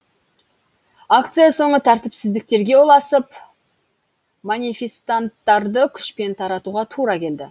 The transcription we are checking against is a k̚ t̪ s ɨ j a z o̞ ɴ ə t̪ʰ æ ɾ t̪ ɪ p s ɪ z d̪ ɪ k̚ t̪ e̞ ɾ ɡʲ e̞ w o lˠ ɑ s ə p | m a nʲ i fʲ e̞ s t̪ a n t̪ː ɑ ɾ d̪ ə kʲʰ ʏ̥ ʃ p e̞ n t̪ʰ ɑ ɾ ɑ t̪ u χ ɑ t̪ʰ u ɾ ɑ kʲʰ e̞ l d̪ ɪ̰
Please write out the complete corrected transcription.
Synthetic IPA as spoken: a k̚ t̪ s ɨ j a s o̞ ɴ ə t̪ʰ æ ɾ t̪ ɪ p s ɪ z d̪ ɪ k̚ t̪ e̞ ɾ ɡʲ e̞ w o lˠ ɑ s ə p | m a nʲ i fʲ e̞ s t̪ a n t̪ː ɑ ɾ d̪ ə kʲʰ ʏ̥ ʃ p e̞ n t̪ʰ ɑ ɾ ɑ t̪ u ʁ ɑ t̪ʰ u ɾ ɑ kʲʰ e̞ l d̪ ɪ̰